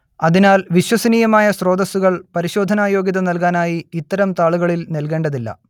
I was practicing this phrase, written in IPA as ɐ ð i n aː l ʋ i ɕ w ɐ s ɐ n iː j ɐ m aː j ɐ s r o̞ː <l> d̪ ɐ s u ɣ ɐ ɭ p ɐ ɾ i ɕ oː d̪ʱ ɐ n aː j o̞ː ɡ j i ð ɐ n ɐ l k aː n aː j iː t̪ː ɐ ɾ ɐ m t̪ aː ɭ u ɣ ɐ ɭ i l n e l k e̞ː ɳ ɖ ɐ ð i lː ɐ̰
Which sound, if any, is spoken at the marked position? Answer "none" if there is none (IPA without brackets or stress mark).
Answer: none